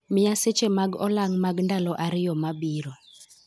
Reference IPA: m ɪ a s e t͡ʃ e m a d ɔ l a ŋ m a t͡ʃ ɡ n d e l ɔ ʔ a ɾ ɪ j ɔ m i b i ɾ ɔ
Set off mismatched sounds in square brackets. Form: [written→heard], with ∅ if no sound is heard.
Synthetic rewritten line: m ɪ a s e t͡ʃ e m a [d→ɡ] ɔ l a ŋ m a [t͡ʃ→∅] ɡ n d [e→a] l ɔ ʔ a ɾ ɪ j ɔ m [i→a] b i ɾ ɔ